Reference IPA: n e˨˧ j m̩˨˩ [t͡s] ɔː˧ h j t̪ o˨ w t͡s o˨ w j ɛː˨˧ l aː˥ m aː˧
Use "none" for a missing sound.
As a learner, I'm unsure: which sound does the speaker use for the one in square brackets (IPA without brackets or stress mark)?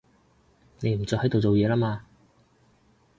t͡s